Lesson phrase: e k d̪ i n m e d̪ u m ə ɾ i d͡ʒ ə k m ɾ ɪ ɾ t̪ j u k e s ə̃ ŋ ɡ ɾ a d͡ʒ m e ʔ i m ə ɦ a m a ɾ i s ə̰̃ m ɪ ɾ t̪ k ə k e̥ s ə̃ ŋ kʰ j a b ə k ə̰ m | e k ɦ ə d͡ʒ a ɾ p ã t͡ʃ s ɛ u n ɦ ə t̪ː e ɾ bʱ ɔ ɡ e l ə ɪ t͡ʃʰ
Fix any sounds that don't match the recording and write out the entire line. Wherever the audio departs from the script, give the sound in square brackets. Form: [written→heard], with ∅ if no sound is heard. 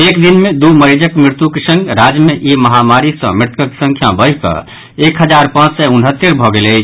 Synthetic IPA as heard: e k d̪ i n m e d̪ u m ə ɾ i d͡ʒ ə k m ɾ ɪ ɾ t̪ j u k e s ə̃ ŋ ɡ ɾ a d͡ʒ m e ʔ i m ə ɦ a m a ɾ i s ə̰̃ m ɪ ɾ t̪ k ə k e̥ s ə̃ ŋ kʰ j a b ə k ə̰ [m→∅] | e k ɦ ə d͡ʒ a ɾ p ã t͡ʃ s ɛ u n ɦ ə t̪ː e ɾ bʱ ɔ ɡ e l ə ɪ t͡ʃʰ